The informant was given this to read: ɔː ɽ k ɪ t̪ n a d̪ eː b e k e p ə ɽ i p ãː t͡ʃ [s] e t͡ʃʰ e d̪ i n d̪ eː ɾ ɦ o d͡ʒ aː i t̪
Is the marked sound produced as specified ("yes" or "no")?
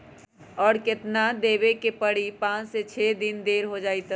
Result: yes